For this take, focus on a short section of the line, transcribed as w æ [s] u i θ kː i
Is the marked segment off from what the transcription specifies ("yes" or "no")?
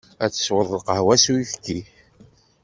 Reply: no